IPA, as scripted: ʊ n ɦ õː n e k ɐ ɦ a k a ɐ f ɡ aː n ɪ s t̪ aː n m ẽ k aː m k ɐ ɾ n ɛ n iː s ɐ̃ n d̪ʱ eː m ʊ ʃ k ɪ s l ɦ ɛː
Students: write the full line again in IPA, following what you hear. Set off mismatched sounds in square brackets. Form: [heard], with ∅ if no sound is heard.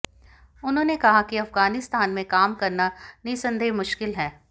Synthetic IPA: ʊ n ɦ õː n e k ɐ ɦ a k [i] ɐ f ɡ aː n ɪ s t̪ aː n m ẽ k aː m k ɐ ɾ n [a] n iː s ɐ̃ n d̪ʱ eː m ʊ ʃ k ɪ [∅] l ɦ ɛː

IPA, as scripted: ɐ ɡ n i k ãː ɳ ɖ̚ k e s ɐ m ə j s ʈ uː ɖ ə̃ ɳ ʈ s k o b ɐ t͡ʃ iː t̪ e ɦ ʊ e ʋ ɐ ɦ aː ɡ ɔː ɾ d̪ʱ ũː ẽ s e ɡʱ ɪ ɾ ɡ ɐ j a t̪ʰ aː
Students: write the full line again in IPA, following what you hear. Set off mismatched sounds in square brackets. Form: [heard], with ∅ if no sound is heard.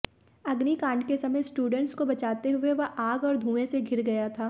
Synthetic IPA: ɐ ɡ n i k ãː ɳ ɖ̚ k e s ɐ m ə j s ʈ uː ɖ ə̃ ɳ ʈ s k o b ɐ t͡ʃ [aː] t̪ e ɦ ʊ e ʋ ɐ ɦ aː ɡ ɔː ɾ d̪ʱ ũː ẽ s e ɡʱ ɪ ɾ ɡ ɐ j a t̪ʰ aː

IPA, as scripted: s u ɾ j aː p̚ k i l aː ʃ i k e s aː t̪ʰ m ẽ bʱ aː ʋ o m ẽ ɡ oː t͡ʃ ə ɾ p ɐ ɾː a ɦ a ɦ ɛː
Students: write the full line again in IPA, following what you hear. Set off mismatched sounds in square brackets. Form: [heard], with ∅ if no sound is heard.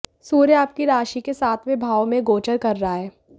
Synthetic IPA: s [uː] ɾ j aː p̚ k i [ɾ] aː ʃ i k e s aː t̪ʰ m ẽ bʱ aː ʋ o m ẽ ɡ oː t͡ʃ ə ɾ [k] ɐ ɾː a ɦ a ɦ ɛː

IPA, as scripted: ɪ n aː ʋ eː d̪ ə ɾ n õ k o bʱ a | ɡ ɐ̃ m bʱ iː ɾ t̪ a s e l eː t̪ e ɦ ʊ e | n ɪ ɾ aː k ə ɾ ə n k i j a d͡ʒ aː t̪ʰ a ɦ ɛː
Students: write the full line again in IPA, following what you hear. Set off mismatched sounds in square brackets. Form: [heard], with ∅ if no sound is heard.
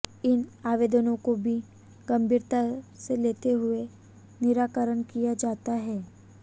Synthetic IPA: ɪ n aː ʋ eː d̪ ə [∅] n õ k o bʱ [i] | ɡ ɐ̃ m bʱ iː ɾ t̪ a s e l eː t̪ e ɦ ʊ e | n ɪ ɾ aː k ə ɾ ə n k i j a d͡ʒ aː [t̪] a ɦ ɛː

